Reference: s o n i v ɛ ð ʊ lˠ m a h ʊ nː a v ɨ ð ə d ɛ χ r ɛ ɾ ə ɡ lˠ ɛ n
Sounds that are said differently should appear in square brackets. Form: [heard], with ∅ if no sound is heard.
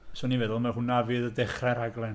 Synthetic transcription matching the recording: s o n i v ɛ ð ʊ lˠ m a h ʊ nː a v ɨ ð ə d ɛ χ r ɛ ɾ [a] ɡ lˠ ɛ n